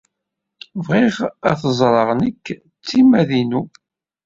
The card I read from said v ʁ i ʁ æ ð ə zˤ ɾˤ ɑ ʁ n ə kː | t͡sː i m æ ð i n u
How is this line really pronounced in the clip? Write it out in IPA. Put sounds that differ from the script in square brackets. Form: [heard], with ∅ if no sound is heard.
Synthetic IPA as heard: v ʁ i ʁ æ [θ] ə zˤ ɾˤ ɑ ʁ n ə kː | t͡sː i m æ ð i n u